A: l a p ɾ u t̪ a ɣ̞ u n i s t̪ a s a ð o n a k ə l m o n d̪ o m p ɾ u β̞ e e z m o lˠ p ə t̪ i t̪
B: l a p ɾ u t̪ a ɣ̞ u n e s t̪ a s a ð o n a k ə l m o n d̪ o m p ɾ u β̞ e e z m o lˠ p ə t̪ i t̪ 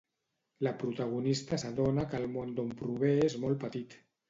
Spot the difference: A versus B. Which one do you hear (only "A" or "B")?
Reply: A